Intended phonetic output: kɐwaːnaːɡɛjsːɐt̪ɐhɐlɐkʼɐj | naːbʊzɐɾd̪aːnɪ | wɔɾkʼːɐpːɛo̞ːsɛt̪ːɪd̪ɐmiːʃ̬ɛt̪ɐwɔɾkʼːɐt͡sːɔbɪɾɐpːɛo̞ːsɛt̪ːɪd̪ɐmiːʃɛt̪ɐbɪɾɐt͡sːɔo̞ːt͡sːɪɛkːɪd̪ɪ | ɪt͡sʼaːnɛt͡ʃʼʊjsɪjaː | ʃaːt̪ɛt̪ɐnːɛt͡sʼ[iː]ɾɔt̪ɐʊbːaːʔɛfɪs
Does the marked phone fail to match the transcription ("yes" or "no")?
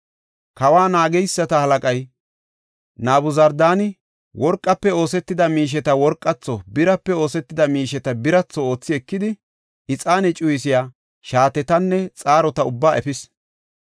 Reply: yes